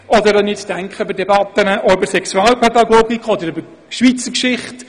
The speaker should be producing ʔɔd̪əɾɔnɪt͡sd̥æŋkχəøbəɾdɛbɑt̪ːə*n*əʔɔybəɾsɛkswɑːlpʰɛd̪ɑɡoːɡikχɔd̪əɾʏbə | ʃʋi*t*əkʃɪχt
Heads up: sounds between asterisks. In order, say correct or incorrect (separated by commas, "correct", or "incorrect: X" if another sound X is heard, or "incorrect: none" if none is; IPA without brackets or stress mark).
correct, incorrect: t͡s